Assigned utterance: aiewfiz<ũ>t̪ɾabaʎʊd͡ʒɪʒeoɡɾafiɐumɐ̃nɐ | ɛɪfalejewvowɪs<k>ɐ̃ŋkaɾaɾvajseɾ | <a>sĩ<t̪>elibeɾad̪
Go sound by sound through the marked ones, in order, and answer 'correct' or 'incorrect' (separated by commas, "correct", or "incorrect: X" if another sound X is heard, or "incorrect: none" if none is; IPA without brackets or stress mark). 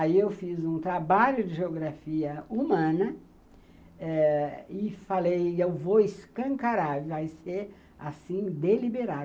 correct, correct, correct, incorrect: d̪